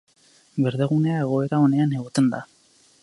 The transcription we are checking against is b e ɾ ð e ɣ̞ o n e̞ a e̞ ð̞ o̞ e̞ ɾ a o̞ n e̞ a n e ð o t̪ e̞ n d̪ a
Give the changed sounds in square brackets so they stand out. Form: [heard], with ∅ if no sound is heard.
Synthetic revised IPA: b e ɾ ð e ɣ̞ [u] n e̞ a e̞ [ɣ̞] o̞ e̞ ɾ a o̞ n e̞ a n e [ɣ] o t̪ e̞ n d̪ a